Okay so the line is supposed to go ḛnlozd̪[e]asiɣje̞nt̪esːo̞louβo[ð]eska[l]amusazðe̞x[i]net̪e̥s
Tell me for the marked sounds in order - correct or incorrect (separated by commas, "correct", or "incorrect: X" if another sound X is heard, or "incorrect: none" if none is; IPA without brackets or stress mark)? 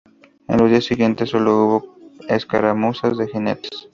incorrect: i, incorrect: none, incorrect: ɾ, correct